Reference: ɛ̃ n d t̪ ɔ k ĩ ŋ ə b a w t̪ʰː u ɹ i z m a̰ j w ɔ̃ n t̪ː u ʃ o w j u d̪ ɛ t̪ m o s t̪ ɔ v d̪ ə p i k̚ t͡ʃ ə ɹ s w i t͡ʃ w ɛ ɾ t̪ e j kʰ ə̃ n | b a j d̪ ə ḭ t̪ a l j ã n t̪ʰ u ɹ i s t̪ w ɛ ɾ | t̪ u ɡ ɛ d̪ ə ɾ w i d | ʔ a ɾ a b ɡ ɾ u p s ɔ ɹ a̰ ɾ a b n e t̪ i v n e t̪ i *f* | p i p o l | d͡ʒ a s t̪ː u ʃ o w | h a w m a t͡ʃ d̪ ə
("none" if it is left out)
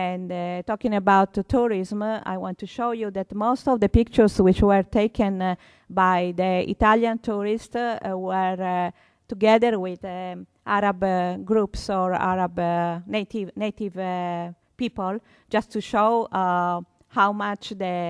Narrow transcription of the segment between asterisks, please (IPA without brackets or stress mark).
v